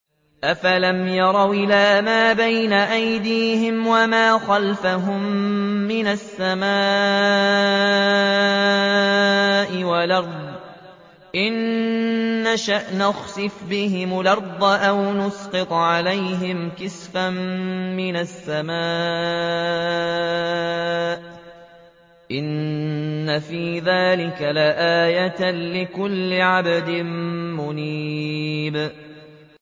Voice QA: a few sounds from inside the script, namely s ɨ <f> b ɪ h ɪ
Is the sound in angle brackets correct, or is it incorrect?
correct